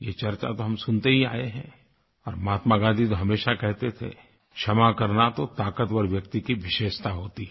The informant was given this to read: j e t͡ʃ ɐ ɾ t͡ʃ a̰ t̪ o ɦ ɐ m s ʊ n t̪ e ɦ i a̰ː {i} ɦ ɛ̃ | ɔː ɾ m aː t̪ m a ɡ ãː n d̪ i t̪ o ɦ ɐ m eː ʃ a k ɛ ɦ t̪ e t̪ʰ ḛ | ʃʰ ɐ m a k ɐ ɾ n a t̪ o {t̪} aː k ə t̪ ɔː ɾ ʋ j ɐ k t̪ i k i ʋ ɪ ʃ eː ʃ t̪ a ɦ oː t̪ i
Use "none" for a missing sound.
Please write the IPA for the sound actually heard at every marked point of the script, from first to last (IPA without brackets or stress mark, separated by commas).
e, t̪